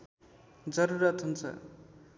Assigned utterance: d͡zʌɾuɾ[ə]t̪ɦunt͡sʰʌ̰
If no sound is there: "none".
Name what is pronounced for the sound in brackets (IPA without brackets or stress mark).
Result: ʌ